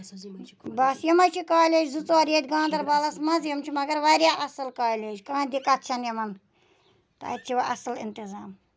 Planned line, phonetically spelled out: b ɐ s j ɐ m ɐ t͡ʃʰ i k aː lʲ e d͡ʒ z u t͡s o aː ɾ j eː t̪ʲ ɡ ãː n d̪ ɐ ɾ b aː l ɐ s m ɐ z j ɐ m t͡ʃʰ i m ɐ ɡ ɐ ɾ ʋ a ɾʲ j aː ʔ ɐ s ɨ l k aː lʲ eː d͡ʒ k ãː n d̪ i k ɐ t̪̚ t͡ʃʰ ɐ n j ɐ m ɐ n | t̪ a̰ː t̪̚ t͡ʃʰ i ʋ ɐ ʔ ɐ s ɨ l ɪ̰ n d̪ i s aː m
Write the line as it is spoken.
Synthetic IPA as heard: b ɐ s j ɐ m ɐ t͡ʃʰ i k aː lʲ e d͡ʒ z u t͡s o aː ɾ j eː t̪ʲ ɡ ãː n d̪ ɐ ɾ b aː l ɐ s m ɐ z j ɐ m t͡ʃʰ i m ɐ ɡ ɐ ɾ ʋ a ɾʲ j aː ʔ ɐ s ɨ l k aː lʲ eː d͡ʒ k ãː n d̪ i k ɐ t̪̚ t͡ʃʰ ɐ n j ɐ m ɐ n | t̪ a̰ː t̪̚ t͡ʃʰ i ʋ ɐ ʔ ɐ s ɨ l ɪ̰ n t̪ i z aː m

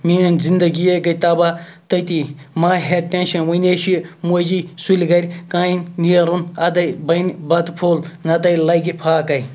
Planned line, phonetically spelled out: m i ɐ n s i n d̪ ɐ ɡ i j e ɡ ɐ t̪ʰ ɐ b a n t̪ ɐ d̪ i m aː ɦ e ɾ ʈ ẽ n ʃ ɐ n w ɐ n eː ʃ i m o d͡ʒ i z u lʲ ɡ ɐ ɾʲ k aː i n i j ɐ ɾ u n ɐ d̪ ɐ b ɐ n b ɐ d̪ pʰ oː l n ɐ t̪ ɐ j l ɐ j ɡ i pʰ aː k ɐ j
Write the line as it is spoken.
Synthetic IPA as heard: m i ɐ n z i n d̪ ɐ ɡ i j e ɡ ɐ t̪ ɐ b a t̪ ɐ t̪ i m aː ɦ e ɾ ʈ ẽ n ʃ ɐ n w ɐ n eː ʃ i m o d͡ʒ i s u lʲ ɡ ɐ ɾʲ k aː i n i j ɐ ɾ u n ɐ d̪ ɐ b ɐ n b ɐ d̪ pʰ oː l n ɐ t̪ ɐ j l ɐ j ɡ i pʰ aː k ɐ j

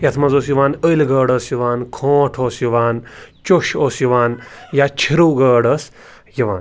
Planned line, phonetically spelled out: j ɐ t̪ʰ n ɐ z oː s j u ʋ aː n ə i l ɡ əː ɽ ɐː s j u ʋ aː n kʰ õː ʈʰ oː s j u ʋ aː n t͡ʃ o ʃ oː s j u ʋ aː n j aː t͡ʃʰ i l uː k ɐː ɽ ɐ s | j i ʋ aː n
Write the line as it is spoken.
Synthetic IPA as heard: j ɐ t̪ʰ m ɐ z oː s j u ʋ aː n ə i l ɡ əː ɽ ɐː s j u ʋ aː n kʰ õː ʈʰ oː s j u ʋ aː n t͡ʃ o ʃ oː s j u ʋ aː n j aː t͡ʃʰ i ɾ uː ɡ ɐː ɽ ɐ s | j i ʋ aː n

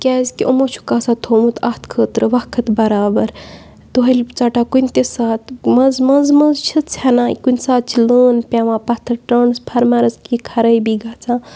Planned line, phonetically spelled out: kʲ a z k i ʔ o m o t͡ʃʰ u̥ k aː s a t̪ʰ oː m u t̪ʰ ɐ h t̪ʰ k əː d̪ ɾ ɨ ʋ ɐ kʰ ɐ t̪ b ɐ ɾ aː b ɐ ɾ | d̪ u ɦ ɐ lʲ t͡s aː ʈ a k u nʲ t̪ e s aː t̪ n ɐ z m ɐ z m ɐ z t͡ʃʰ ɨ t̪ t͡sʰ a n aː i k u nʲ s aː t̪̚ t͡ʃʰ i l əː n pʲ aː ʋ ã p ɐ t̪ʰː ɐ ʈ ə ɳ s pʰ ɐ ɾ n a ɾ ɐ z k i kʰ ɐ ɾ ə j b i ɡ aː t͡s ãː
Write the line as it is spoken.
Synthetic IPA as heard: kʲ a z k i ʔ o m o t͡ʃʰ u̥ k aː s a t̪ʰ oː m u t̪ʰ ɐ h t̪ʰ kʰ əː t̪ ɾ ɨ ʋ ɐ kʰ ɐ t̪ b ɐ ɾ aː b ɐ ɾ | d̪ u ɦ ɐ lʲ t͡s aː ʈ a k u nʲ t̪ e s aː t̪ m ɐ z m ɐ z m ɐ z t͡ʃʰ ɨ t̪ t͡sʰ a n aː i k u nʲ s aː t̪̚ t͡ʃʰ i l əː n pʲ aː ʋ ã p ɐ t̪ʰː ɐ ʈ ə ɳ s pʰ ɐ ɾ m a ɾ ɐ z k i kʰ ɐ ɾ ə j b i ɡ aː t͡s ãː

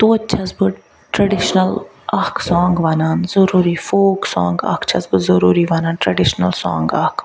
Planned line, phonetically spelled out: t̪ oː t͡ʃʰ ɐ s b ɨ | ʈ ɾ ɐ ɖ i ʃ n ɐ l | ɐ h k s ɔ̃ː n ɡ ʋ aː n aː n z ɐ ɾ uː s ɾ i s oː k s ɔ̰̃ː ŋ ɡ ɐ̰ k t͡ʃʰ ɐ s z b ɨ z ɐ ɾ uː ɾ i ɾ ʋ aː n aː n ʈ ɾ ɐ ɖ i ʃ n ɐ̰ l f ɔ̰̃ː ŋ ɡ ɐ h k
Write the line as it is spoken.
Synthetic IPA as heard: t̪ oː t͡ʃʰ ɐ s b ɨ | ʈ ɾ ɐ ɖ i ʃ n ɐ l | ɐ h k s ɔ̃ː ŋ ɡ ʋ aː n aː n z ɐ ɾ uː ɾ i f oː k s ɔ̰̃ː ŋ ɡ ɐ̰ k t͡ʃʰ ɐ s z b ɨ z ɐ ɾ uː ɾ i ʋ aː n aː n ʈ ɾ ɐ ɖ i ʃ n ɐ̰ l s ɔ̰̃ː ŋ ɡ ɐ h k

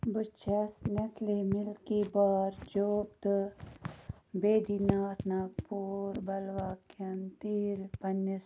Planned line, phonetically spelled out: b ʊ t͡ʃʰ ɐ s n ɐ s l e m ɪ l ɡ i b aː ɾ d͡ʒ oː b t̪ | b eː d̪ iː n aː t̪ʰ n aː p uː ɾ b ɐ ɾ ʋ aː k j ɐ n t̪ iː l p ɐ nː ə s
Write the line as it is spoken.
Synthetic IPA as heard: b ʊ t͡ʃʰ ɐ s n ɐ s l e m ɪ l k i b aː ɾ d͡ʒ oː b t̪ | b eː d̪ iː n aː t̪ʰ n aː p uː ɾ b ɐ l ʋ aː k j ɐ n t̪ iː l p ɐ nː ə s

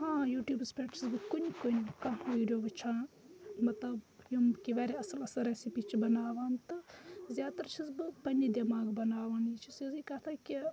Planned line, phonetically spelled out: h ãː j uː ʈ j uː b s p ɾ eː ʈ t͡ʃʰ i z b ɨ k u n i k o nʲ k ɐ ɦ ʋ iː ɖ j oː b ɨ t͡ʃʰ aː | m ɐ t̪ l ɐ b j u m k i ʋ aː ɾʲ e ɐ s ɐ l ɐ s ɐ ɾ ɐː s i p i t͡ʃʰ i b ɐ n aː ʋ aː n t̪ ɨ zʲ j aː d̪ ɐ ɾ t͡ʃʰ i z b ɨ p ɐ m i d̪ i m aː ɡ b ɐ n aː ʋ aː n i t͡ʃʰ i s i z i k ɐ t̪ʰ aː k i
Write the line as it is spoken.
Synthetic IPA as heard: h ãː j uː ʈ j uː b s p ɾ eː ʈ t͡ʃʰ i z b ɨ k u n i k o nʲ k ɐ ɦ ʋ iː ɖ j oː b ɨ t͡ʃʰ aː | m ɐ t̪ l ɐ b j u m k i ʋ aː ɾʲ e ɐ s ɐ l ɐ s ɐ ɾ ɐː s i p i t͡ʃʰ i b ɐ n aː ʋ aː n t̪ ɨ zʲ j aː t̪ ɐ ɾ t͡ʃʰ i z b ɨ p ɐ n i d̪ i m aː ɡ b ɐ n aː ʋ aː n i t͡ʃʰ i s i z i k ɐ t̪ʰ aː k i

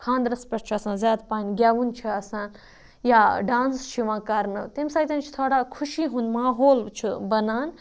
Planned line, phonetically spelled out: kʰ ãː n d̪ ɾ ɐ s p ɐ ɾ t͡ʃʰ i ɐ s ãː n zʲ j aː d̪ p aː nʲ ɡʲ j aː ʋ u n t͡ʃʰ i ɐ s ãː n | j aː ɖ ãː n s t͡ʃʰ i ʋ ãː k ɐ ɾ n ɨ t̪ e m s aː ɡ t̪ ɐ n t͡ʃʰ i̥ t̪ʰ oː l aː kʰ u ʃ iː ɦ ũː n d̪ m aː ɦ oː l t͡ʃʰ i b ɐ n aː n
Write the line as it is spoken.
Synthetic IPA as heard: kʰ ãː n d̪ ɾ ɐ s p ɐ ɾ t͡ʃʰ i ɐ s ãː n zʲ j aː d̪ p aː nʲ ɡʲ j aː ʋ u n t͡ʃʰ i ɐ s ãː n | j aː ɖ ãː n s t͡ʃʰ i ʋ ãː k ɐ ɾ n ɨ t̪ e m s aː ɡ t̪ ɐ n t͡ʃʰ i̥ t̪ʰ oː ɽ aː kʰ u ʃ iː ɦ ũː n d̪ m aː ɦ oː l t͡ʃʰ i b ɐ n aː n

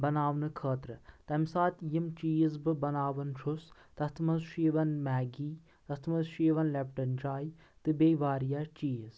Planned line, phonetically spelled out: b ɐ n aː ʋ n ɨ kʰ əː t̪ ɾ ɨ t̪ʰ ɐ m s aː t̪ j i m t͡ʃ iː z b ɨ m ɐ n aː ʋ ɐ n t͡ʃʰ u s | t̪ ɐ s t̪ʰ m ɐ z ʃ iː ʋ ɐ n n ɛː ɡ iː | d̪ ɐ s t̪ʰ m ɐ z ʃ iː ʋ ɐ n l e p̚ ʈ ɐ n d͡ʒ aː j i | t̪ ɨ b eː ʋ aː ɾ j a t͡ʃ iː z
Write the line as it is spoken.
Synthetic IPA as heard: b ɐ n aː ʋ n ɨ kʰ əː t̪ ɾ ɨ t̪ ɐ m s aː t̪ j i m t͡ʃ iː z b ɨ b ɐ n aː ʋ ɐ n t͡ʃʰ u s | t̪ ɐ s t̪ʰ m ɐ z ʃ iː ʋ ɐ n m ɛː ɡ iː | t̪ ɐ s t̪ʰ m ɐ z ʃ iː ʋ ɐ n l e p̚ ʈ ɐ n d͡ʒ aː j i | t̪ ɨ b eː ʋ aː ɾ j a t͡ʃ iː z

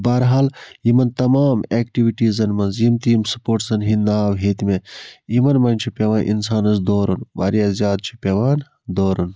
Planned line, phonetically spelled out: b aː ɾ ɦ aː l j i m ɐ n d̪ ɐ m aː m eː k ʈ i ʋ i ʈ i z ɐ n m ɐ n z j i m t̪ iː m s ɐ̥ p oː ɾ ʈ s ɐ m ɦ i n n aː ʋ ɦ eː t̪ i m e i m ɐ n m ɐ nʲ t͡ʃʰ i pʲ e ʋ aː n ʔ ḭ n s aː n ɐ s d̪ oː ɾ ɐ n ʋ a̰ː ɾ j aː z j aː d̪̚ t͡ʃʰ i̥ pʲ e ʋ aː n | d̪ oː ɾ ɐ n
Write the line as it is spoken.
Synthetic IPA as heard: b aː ɾ ɦ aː l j i m ɐ n t̪ ɐ m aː m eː k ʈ i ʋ i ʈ i z ɐ n m ɐ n z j i m t̪ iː m s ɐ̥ p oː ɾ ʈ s ɐ n ɦ i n n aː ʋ ɦ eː t̪ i m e i m ɐ n m ɐ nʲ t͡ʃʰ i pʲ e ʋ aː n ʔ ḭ n s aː n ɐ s d̪ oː ɾ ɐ n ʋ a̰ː ɾ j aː z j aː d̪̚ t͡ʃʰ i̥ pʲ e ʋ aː n | d̪ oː ɾ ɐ n

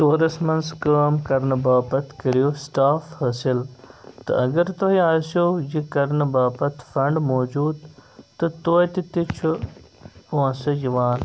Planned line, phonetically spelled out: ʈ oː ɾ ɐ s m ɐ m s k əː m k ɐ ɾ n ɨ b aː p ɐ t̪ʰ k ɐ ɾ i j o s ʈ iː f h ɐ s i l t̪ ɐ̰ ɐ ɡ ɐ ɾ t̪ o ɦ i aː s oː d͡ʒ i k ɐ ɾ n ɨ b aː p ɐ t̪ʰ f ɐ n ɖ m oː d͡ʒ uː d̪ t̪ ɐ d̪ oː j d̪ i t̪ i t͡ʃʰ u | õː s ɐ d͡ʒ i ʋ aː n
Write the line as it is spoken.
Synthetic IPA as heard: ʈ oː ɾ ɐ s m ɐ n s k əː m k ɐ ɾ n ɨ b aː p ɐ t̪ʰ k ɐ ɾ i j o s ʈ aː f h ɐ s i l t̪ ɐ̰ ɐ ɡ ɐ ɾ t̪ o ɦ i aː s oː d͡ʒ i k ɐ ɾ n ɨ b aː p ɐ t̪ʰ f ɐ ɳ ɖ m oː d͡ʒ uː d̪ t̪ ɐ t̪ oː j t̪ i t̪ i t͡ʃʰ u | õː s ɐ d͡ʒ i ʋ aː n

